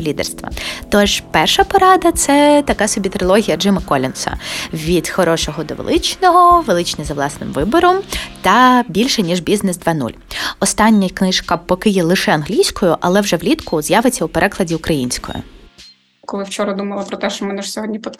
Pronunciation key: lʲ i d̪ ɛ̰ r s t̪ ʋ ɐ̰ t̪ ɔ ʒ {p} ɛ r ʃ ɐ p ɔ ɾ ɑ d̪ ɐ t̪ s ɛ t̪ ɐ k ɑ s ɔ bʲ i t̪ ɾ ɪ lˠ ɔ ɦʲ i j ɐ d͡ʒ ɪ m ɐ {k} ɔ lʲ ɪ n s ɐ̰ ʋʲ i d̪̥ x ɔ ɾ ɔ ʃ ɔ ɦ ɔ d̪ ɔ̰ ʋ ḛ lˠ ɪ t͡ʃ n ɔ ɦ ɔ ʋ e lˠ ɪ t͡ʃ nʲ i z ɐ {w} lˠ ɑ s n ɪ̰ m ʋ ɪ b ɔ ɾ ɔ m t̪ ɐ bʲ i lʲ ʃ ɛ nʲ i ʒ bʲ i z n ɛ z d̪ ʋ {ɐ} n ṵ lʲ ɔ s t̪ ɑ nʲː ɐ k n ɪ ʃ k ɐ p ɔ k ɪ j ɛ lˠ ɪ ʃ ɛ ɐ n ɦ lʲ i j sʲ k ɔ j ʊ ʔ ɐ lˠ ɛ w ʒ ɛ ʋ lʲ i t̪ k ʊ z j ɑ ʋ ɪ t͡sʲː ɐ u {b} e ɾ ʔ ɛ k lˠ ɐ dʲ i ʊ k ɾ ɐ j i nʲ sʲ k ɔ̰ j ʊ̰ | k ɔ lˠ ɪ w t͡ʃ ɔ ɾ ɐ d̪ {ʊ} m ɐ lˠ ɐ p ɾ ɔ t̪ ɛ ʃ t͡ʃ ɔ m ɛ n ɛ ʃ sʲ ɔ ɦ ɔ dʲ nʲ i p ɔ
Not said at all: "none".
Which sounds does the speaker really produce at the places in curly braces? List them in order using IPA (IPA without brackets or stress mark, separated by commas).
p, k, ʋ, ɑ, p, u